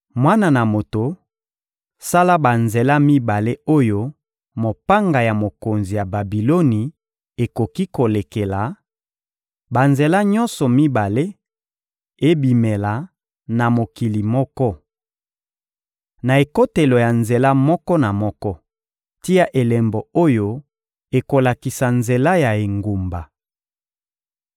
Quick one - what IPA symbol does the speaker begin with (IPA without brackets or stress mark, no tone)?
m